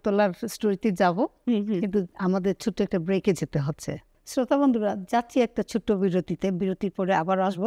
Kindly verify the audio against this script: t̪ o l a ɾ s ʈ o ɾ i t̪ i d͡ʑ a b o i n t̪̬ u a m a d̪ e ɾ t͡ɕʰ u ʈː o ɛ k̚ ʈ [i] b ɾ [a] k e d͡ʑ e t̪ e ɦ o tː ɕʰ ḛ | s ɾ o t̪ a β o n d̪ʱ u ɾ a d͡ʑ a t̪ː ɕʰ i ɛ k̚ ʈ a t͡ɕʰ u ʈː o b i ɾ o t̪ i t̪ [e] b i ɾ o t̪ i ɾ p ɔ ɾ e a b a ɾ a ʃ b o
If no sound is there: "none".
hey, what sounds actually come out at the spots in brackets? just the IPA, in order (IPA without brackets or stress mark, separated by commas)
a, e, e